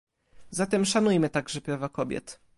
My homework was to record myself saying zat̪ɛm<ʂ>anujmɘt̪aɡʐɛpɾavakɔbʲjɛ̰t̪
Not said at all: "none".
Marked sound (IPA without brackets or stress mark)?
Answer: ʂ